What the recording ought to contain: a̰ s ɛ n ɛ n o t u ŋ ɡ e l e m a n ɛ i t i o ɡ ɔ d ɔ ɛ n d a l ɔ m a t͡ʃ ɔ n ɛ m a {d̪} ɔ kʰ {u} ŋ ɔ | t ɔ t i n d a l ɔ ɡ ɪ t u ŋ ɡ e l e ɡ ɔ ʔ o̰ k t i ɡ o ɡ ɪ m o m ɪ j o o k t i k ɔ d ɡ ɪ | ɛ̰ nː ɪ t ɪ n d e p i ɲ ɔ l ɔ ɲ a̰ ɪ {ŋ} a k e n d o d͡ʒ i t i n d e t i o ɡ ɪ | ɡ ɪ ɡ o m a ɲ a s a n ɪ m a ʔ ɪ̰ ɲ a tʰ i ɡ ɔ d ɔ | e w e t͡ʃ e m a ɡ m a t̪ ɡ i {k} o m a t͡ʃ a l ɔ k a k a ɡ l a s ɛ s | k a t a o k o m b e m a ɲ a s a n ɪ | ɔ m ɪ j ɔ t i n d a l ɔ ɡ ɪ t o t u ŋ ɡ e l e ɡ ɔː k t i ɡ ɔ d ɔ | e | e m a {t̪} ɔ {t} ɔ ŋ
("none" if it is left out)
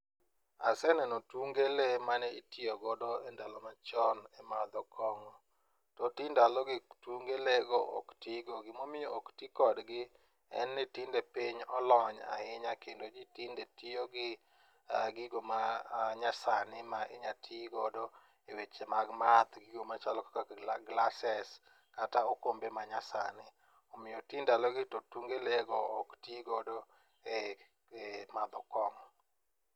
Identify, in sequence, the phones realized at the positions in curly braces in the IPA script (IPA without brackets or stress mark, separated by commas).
d̪, ɔ, ɲ, ɡ, d̪, k